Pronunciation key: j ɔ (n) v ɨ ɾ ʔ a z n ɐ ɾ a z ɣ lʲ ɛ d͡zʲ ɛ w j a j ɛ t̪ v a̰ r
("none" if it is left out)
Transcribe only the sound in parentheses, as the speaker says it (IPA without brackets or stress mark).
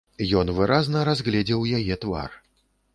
n